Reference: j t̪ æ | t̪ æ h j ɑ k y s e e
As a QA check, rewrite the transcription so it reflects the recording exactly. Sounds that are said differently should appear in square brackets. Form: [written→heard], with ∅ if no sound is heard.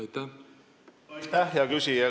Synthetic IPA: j t̪ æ | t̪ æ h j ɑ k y s [e→i] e